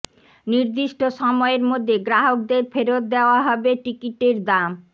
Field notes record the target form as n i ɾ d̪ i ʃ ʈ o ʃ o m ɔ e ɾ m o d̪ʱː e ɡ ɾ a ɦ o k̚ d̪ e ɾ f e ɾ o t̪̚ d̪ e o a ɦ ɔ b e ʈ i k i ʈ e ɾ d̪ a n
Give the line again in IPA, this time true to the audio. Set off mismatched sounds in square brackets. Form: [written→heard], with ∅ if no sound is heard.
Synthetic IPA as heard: n i ɾ d̪ i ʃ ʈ o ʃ [o→ɔ] m ɔ e ɾ m o d̪ʱː e ɡ ɾ a ɦ o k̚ d̪ e ɾ f e ɾ o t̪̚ d̪ e o a ɦ ɔ b e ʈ i k i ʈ e ɾ d̪ a [n→m]